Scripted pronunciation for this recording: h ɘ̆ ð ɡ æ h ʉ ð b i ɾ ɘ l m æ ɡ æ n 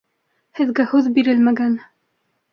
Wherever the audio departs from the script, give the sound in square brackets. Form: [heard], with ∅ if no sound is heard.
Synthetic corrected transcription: h ɘ̆ ð ɡ æ h ʉ ð b i ɾ ɘ l m æ ɡ æ n